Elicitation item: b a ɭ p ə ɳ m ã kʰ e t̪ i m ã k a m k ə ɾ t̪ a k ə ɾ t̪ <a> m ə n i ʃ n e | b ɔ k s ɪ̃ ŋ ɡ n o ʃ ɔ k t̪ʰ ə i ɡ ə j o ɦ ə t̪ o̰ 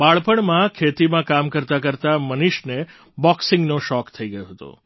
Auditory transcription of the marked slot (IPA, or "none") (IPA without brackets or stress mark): a